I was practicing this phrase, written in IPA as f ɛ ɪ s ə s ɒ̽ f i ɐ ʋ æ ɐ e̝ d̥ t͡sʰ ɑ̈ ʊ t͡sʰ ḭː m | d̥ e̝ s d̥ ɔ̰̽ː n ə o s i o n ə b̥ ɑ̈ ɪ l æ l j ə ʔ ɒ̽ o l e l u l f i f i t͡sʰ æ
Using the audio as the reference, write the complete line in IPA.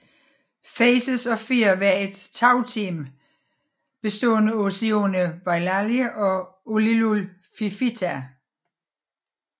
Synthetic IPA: f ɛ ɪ s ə s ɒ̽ f i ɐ ʋ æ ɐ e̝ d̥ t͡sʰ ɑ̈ ʊ t͡sʰ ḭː m | b̥ e̝ s d̥ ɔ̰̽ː n ə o s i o n ə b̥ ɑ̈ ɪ l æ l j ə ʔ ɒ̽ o l i l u l f i f i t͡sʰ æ

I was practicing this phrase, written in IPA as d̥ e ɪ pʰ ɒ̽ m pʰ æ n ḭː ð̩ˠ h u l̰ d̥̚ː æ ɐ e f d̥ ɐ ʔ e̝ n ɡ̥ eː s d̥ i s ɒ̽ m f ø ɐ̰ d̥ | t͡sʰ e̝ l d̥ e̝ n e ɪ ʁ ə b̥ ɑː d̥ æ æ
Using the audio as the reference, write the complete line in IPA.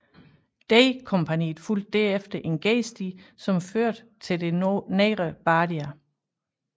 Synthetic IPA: d̥ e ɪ kʰ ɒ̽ m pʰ æ n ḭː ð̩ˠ f u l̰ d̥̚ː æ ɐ e f d̥ ɐ ʔ e̝ n ɡ̥ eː s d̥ i s ɒ̽ m f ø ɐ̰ d̥ | t͡sʰ e̝ l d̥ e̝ n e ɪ ʁ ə b̥ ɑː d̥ i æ

